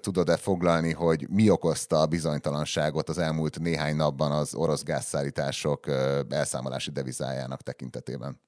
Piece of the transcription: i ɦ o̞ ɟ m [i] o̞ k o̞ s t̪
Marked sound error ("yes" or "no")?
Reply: no